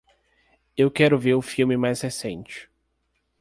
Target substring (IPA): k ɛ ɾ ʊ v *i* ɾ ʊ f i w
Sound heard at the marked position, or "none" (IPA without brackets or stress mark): e